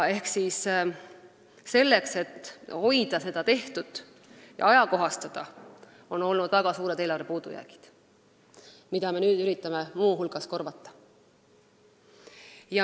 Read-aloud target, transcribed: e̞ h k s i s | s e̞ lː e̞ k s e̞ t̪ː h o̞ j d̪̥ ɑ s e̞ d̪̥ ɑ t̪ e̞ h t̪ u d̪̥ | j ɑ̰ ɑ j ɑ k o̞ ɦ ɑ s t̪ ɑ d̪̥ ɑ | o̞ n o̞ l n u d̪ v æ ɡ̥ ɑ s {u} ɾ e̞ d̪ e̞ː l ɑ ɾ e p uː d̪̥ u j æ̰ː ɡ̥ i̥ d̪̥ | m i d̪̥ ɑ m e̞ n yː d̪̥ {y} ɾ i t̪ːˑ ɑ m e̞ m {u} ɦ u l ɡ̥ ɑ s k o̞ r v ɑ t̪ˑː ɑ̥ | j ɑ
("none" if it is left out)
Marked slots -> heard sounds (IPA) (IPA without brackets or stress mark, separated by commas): uː, y, uː